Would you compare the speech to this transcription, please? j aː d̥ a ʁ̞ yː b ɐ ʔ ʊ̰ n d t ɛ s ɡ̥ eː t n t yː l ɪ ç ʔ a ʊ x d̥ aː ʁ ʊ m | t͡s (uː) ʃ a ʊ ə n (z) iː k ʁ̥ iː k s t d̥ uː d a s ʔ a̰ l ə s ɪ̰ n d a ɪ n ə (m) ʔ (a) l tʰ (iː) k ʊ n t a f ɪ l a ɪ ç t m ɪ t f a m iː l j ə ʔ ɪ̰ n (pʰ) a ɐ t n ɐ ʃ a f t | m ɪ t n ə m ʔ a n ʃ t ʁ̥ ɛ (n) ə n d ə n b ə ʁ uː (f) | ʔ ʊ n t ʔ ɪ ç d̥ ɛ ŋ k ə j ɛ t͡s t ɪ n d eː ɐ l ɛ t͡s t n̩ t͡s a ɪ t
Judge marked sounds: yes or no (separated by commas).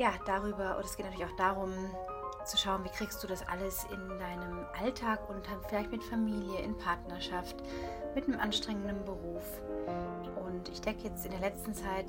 no, no, yes, yes, no, yes, no, yes